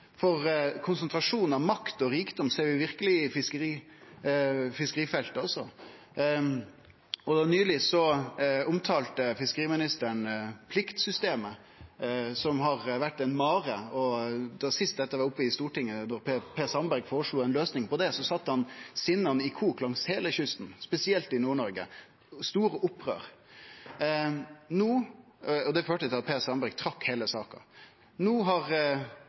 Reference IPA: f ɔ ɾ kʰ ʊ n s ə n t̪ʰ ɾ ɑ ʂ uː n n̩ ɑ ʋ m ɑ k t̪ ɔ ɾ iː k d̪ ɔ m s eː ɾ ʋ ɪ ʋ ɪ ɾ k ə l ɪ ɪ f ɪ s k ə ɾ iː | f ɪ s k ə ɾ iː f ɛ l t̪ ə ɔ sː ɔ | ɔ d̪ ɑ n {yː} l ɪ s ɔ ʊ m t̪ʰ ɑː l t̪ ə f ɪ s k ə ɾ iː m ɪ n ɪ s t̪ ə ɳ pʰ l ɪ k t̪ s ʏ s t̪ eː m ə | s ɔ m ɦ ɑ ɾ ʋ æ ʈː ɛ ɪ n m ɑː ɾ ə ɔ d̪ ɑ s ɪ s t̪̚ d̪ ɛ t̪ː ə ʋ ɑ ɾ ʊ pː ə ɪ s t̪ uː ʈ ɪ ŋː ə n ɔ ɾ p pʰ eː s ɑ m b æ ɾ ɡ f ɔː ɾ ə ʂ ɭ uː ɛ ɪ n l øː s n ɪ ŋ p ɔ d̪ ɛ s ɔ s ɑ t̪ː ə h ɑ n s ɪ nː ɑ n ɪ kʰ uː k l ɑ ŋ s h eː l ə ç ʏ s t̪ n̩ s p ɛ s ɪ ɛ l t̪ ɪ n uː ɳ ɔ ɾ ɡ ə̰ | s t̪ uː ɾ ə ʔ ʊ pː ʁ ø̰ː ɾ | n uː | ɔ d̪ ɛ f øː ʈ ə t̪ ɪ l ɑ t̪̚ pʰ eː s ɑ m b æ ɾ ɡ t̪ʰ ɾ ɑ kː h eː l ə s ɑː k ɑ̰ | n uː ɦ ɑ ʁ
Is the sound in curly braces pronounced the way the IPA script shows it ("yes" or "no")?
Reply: yes